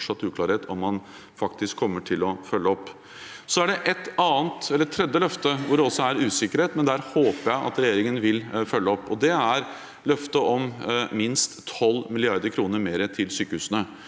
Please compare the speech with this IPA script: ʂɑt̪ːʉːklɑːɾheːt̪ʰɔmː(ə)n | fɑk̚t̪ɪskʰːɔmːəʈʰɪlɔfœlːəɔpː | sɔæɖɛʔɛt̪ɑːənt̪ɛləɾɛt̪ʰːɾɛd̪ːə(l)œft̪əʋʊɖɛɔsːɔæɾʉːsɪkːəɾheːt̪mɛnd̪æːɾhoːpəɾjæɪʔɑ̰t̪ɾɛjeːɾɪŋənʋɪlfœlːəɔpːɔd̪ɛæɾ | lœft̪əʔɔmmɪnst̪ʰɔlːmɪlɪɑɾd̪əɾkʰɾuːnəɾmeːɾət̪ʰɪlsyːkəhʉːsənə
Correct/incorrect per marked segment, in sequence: incorrect, correct

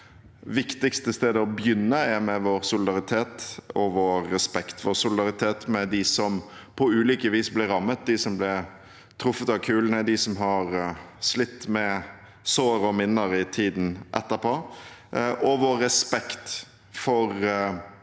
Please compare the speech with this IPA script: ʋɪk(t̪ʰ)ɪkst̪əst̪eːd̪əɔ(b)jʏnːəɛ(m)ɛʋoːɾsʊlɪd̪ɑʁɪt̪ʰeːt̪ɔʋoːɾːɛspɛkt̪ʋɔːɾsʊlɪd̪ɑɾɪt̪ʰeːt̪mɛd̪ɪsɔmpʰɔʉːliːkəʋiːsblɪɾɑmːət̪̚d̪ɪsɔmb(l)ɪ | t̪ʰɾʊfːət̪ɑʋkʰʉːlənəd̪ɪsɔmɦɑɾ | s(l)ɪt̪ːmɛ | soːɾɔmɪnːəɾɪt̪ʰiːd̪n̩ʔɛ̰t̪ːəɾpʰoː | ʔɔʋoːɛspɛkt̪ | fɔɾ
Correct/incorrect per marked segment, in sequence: incorrect, correct, correct, correct, correct

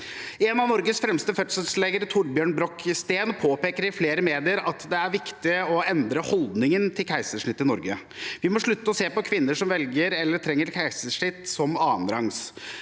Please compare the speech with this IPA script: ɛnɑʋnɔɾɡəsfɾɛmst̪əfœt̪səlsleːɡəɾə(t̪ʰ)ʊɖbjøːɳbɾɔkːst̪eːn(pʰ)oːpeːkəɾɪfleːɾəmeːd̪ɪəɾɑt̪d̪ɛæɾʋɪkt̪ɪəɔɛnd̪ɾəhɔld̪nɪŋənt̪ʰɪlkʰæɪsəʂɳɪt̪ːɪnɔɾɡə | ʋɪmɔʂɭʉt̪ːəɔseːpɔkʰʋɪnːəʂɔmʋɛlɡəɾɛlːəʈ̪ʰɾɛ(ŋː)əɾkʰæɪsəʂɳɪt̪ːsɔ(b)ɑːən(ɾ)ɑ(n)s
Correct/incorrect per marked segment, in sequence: correct, correct, correct, incorrect, correct, incorrect

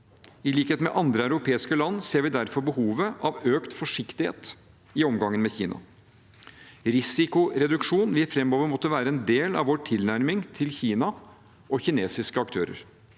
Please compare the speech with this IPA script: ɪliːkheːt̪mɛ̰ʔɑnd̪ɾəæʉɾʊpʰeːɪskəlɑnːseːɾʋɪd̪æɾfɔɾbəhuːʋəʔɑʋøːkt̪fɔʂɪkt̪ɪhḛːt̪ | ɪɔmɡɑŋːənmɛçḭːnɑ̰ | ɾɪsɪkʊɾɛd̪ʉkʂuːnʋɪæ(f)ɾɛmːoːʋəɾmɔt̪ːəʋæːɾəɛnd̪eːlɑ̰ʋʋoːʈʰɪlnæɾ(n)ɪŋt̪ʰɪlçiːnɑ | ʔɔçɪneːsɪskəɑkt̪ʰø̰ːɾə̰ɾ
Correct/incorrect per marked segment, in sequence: correct, incorrect

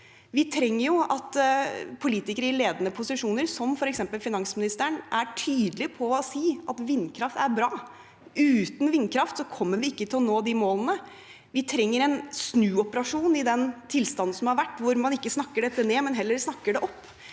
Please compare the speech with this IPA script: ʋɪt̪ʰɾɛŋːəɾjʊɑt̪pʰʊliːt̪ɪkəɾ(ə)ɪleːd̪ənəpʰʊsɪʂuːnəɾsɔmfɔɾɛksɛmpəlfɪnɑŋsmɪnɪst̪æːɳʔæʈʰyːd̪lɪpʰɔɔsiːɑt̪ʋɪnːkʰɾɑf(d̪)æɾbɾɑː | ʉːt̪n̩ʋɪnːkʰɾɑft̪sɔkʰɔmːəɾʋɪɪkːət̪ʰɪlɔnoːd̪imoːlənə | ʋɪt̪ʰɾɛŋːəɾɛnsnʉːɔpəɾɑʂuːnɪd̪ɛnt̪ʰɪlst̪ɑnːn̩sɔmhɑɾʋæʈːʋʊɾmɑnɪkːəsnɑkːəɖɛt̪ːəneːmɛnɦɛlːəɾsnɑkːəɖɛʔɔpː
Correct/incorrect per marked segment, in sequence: correct, incorrect

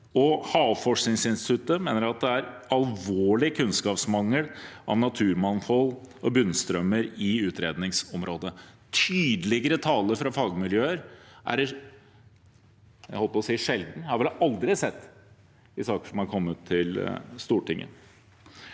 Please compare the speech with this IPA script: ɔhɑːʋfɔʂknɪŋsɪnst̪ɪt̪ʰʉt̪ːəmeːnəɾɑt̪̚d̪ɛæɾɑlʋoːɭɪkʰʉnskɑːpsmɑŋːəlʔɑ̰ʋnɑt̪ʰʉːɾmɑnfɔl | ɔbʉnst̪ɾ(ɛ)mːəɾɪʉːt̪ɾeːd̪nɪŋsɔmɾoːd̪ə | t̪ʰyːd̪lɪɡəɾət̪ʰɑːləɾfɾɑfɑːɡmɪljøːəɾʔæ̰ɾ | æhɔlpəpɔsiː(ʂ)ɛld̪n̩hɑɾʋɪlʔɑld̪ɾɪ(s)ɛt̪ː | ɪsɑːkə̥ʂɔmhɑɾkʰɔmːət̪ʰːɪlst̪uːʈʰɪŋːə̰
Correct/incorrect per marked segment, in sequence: incorrect, correct, correct

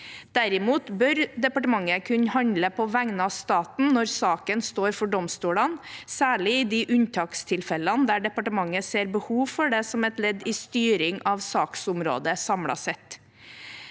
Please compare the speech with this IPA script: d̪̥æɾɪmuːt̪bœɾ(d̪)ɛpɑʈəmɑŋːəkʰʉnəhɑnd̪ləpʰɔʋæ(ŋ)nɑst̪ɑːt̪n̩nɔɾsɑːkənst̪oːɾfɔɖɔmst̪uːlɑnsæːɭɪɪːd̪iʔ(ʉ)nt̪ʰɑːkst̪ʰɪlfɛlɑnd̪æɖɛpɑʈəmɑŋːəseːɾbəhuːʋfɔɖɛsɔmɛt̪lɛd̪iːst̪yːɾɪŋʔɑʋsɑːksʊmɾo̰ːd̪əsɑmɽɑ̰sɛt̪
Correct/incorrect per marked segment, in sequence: correct, correct, correct

